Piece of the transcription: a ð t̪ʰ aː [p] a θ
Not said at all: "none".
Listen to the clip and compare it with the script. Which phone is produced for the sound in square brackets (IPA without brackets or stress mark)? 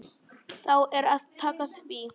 k